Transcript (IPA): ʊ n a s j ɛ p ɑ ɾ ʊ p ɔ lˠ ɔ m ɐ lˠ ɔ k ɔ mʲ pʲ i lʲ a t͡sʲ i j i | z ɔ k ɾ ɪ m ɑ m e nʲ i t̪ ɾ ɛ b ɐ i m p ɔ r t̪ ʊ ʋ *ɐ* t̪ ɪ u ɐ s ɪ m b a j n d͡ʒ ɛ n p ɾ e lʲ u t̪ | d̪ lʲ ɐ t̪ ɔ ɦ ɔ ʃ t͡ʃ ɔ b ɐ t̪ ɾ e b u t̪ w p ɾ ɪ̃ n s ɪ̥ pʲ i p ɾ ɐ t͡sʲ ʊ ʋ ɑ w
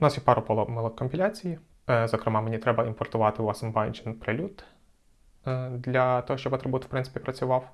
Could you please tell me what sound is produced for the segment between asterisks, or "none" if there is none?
ɑ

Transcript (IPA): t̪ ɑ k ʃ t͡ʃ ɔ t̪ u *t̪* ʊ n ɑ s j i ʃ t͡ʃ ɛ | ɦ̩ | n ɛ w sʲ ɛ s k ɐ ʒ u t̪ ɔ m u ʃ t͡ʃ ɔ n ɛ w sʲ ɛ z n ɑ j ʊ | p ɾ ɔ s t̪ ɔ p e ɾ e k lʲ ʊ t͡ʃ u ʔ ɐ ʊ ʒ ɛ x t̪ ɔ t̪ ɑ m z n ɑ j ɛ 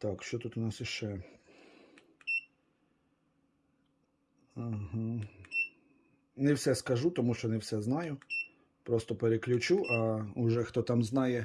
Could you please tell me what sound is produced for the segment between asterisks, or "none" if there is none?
t̪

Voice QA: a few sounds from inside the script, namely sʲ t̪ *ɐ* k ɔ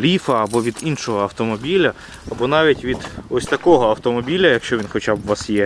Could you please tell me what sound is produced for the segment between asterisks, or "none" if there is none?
ɐ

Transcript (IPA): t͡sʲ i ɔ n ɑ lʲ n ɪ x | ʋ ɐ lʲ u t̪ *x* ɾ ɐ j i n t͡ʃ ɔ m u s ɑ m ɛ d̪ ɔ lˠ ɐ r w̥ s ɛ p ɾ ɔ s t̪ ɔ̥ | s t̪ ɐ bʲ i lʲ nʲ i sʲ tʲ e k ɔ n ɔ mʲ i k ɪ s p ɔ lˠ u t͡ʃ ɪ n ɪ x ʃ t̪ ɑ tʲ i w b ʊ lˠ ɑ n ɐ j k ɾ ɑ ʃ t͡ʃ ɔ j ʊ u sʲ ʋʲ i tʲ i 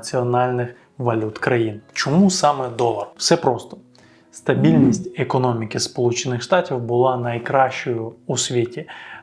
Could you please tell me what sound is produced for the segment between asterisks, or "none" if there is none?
k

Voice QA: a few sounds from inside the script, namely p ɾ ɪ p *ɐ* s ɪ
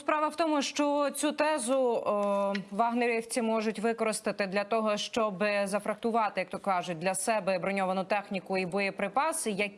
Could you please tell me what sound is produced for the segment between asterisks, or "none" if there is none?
ɑ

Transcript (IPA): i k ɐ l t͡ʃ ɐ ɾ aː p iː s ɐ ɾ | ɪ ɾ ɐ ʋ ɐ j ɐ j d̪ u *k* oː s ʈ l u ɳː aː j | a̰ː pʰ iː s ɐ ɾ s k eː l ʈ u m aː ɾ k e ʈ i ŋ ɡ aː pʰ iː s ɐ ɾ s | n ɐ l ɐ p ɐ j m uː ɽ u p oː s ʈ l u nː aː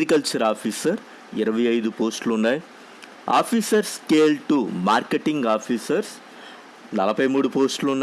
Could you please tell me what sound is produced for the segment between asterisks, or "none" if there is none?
p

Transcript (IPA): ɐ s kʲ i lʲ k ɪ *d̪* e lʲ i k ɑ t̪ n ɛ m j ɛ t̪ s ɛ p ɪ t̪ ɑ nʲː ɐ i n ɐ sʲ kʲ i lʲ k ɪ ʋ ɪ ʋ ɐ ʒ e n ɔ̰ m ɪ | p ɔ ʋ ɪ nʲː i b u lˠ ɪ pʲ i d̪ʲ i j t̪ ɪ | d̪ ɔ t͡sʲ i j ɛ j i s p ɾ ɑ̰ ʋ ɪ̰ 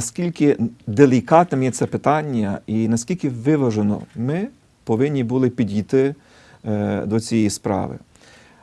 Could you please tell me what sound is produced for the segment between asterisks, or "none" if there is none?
d̪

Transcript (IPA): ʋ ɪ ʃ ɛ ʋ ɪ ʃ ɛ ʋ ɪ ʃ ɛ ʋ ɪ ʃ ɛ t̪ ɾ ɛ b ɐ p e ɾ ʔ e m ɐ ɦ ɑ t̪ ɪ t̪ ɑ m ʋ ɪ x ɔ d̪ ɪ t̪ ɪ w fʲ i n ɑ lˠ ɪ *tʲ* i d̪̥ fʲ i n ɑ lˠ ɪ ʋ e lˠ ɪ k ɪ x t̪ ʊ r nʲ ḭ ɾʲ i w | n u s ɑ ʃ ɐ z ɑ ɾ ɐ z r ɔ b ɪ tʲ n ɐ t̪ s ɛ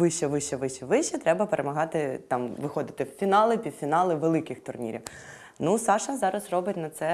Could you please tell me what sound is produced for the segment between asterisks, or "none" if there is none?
pʲ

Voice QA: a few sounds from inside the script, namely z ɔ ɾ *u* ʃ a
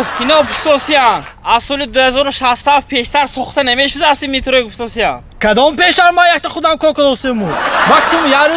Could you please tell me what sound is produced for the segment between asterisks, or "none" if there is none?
u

